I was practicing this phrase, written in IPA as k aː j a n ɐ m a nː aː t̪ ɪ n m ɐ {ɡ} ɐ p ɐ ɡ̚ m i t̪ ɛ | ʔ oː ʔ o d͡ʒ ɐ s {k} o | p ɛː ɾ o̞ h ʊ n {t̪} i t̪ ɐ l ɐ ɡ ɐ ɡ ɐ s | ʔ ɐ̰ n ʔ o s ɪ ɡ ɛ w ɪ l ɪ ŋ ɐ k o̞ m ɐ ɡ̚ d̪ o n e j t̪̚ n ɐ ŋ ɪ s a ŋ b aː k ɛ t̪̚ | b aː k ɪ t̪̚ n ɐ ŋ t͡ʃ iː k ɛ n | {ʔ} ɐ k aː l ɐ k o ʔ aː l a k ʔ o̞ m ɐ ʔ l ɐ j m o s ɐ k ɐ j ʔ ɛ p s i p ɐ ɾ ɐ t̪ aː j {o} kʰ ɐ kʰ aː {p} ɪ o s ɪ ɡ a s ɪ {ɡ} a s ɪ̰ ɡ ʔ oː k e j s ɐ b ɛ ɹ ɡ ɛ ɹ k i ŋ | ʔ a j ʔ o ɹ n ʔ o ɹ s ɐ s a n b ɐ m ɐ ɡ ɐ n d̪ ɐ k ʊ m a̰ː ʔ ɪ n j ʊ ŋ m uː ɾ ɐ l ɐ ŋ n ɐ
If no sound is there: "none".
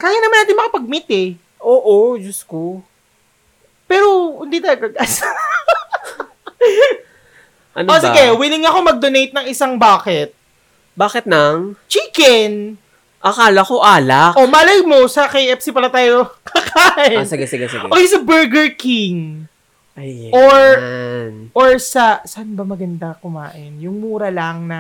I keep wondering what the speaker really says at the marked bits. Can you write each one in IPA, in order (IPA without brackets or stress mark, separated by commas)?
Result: k, k, d̪, ʔ, o, ʔ, ɡ